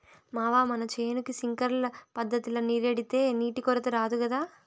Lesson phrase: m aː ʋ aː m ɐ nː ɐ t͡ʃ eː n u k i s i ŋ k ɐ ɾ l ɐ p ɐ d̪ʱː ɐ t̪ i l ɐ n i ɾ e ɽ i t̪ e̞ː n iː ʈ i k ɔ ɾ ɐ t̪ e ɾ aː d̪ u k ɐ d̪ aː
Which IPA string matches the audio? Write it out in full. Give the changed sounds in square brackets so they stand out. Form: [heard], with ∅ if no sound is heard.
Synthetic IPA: m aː ʋ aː m ɐ [n] ɐ t͡ʃ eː n u k i s i ŋ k ɐ ɾ l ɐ p ɐ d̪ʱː ɐ t̪ i l ɐ n i ɾ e ɽ i t̪ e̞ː n iː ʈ i k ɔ ɾ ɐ t̪ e ɾ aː d̪ u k ɐ d̪ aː